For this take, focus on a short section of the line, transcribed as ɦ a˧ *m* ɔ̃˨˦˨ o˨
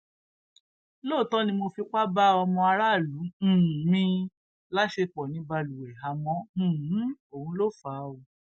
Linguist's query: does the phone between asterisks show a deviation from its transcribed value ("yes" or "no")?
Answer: no